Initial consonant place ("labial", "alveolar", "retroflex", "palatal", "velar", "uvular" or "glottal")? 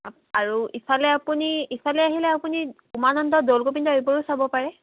alveolar